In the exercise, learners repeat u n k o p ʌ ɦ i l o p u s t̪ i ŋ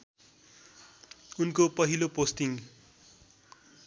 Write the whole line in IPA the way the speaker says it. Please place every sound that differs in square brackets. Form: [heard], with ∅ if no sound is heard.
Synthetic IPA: u n k o p ʌ ɦ i l o p [o] s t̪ i ŋ